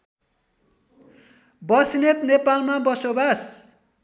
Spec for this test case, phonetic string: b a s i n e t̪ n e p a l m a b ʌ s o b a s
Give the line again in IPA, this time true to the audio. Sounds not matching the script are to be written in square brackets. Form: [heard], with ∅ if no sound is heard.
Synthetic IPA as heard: b [ʌ] s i n e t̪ n e p a l m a b ʌ s o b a s